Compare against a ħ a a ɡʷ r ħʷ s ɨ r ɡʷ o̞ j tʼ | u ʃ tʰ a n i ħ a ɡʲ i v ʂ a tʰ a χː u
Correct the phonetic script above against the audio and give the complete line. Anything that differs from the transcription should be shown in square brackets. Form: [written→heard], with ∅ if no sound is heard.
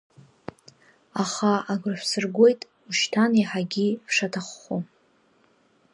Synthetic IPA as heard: a [ħ→χ] a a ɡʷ r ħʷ s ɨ r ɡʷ o̞ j tʼ | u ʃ tʰ a n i ħ a ɡʲ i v ʂ a tʰ a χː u